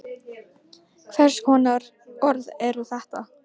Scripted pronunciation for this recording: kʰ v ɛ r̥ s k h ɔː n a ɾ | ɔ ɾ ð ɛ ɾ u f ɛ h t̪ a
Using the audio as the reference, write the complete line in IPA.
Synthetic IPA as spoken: kʰ v ɛ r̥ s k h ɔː n a ɾ | ɔ ɾ ð ɛ ɾ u θ ɛ h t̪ a